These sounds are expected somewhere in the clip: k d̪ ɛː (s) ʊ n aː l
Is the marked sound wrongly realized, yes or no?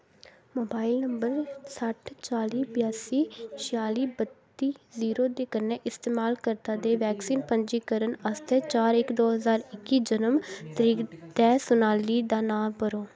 no